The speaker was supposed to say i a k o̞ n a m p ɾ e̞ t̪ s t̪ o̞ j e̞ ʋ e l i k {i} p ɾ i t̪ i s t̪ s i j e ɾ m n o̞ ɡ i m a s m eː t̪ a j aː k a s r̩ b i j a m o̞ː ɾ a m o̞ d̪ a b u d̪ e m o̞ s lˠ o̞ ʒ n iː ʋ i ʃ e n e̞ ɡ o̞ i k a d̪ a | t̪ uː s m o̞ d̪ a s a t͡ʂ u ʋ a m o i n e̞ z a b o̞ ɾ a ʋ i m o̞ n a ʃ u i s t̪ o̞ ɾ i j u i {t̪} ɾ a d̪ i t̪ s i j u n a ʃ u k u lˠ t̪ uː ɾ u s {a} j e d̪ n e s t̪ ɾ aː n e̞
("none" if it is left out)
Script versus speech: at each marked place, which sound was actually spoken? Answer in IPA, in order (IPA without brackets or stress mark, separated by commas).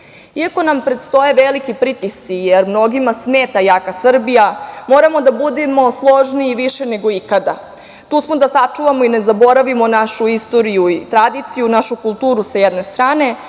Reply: i, t̪, a